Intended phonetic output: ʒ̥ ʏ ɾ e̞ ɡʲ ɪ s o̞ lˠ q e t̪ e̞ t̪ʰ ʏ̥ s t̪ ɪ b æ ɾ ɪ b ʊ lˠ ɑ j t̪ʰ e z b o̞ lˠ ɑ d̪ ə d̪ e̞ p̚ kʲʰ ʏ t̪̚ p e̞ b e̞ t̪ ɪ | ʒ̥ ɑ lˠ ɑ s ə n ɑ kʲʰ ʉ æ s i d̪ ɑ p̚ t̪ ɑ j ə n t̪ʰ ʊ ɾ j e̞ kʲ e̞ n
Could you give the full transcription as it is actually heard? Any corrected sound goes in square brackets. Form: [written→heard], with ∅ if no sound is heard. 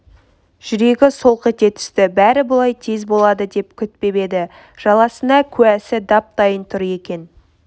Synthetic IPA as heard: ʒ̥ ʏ ɾ e̞ ɡʲ ɪ s o̞ lˠ q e t̪ e̞ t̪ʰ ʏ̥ s t̪ ɪ b æ ɾ ɪ b ʊ lˠ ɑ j t̪ʰ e z b o̞ lˠ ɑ d̪ ə d̪ e̞ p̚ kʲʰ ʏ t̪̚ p e̞ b e̞ [t̪→d̪] ɪ | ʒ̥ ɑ lˠ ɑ s ə n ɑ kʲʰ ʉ æ s [i→ɪ] d̪ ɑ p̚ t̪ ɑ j ə n t̪ʰ ʊ ɾ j e̞ kʲ e̞ n